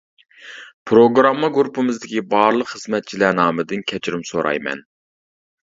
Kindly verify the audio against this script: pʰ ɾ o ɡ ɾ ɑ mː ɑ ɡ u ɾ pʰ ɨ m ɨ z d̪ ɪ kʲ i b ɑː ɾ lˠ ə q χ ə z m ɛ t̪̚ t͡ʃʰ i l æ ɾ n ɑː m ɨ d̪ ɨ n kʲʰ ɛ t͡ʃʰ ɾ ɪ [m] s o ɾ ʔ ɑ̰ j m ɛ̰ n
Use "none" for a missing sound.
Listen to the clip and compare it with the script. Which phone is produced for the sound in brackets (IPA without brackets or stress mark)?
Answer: m